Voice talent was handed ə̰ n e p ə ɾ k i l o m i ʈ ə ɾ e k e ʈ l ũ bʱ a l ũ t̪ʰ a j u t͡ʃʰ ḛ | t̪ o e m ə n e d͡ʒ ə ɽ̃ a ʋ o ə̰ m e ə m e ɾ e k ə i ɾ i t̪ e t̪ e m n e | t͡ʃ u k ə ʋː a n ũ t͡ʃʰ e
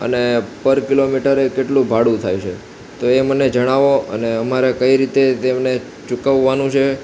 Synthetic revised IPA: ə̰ n e p ə ɾ k i l o m i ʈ ə ɾ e k e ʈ l ũ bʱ a ɽ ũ t̪ʰ a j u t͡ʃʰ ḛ | t̪ o e m ə n e d͡ʒ ə ɽ̃ a ʋ o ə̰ n e ə m a ɾ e k ə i ɾ i t̪ e t̪ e m n e | t͡ʃ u k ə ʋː a n ũ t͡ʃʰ e